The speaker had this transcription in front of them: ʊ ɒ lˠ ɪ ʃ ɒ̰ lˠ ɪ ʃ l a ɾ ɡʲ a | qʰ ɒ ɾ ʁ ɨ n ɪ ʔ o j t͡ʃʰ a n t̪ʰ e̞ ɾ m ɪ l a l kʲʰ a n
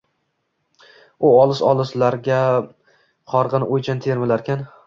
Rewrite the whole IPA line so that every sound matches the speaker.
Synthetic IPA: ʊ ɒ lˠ ɪ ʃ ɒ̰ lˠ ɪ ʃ l a ɾ ɡʲ a | qʰ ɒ ɾ ʁ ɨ n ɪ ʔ o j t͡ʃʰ a n t̪ʰ e̞ ɾ m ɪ l a ɾ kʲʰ a n